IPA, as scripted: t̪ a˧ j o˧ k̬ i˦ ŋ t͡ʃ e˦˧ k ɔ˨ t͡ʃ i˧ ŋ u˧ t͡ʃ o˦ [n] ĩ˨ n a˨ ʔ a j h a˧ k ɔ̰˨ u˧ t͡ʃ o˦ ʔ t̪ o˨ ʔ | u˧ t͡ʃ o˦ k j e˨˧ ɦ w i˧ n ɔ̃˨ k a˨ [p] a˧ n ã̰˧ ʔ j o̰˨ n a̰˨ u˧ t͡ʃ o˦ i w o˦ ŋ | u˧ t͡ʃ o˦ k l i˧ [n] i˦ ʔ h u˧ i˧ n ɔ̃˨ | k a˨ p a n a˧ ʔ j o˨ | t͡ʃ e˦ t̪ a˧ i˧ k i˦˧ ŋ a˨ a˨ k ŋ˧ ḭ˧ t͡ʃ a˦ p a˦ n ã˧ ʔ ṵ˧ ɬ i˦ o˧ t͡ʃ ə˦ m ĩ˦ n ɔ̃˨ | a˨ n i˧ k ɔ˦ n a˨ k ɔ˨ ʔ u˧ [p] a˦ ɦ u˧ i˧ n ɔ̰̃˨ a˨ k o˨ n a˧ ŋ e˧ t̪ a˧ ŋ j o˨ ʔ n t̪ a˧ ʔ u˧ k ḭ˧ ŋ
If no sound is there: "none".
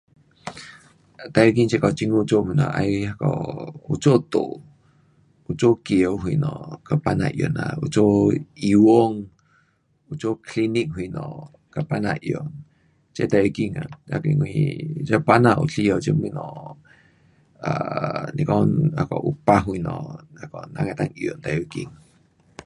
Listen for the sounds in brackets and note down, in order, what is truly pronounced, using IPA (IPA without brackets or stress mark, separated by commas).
m, p, n, p